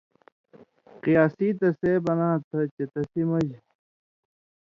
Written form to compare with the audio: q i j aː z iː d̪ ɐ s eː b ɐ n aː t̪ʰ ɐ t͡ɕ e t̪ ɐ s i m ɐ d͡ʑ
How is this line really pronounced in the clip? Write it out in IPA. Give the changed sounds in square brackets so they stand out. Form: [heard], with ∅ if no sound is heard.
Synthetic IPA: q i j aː [s] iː [t̪] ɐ s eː b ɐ n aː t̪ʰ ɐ t͡ɕ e t̪ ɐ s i m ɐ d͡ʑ